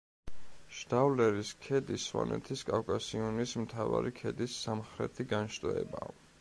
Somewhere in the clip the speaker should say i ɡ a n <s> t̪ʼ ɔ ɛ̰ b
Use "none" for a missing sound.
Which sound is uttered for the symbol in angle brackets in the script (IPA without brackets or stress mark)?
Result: ʃ